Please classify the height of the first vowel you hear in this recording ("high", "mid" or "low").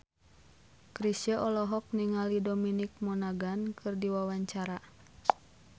high